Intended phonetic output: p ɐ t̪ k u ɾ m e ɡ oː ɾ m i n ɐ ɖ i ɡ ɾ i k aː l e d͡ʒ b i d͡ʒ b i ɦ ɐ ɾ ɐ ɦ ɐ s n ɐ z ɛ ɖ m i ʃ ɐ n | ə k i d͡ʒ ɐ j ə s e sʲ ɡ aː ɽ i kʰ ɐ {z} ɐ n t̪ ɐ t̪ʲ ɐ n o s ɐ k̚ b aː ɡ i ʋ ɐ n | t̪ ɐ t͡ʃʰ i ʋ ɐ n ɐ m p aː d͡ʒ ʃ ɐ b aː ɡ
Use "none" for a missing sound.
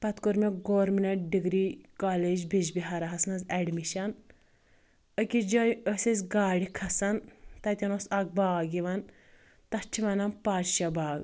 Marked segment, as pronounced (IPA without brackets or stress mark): s